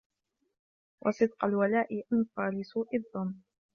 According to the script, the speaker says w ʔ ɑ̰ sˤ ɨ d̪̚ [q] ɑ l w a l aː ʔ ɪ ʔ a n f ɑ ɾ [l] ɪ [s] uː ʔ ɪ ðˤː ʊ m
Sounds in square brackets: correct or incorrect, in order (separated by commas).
correct, correct, correct